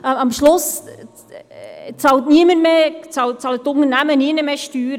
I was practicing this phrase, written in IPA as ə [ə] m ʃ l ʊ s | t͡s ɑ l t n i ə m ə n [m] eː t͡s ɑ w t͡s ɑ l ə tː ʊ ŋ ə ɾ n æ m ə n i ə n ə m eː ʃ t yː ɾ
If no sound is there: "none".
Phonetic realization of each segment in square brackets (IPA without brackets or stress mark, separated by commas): ɑ, m